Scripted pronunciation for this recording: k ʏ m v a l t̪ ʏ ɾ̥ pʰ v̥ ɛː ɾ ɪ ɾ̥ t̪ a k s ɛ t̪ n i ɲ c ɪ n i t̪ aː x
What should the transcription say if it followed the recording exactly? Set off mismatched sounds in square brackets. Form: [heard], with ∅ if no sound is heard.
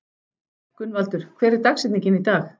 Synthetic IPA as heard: k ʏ [n] v a l t̪ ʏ ɾ̥ [kʰ] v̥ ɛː ɾ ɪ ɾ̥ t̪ a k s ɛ t̪ n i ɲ c ɪ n i t̪ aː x